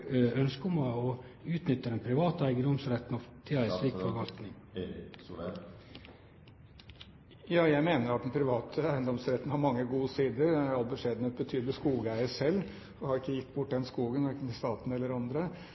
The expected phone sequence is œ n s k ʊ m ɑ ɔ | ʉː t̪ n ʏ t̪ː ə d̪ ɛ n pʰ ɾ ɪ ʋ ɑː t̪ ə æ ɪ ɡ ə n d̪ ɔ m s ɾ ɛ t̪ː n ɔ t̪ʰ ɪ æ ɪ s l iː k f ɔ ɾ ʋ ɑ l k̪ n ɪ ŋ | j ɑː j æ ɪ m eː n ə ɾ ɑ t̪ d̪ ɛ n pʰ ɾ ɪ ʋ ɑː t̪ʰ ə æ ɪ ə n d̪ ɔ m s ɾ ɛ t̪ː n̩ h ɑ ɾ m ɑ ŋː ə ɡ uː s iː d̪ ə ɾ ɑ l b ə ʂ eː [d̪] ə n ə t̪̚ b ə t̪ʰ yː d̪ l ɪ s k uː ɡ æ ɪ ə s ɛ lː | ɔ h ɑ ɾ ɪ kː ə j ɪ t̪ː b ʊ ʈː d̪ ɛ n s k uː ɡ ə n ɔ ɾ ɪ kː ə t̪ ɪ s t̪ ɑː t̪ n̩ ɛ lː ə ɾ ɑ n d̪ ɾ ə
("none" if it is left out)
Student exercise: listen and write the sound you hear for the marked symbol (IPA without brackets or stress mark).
d̪